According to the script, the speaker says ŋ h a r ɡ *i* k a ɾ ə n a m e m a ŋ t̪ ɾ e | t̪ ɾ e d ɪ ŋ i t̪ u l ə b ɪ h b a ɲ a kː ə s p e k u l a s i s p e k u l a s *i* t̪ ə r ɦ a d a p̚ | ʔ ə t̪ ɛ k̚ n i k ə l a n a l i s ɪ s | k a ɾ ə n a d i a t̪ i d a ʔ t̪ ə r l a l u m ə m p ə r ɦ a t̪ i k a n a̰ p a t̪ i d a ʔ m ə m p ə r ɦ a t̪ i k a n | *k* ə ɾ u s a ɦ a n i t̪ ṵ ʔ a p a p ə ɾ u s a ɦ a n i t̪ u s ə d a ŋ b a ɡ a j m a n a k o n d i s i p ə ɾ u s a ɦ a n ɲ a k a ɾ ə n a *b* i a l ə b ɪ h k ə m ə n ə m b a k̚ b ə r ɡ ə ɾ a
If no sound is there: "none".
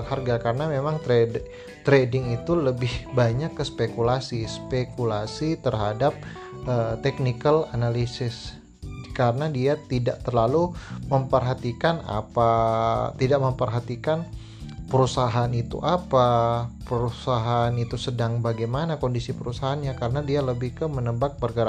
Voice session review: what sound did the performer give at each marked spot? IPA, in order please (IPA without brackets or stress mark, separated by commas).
a, i, p, d